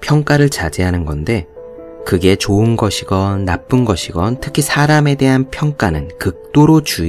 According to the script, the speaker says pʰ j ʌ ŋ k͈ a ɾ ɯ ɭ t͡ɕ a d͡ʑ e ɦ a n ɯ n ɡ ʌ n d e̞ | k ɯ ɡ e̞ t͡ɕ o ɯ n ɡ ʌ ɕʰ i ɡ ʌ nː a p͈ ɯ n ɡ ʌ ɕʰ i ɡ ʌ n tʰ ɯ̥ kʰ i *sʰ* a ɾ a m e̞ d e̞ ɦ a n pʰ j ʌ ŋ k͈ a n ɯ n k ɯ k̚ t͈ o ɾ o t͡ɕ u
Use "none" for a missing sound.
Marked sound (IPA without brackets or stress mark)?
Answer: sʰ